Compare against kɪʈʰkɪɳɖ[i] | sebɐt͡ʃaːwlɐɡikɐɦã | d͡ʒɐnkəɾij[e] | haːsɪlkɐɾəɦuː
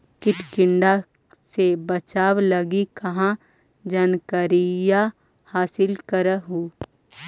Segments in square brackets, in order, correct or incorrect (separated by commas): incorrect, incorrect